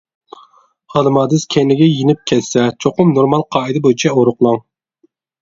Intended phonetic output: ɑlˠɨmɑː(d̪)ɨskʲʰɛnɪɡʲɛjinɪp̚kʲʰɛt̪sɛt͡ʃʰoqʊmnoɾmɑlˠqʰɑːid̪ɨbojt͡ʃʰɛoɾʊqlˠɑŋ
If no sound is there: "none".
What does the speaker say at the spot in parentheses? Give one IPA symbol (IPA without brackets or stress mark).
d̪